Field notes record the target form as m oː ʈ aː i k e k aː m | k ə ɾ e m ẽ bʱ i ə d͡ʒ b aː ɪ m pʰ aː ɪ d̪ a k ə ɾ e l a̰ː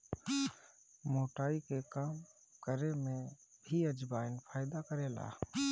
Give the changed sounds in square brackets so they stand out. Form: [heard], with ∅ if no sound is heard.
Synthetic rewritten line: m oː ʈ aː i k e k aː m | k ə ɾ e m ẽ bʱ i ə d͡ʒ b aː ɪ [n] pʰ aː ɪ d̪ a k ə ɾ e l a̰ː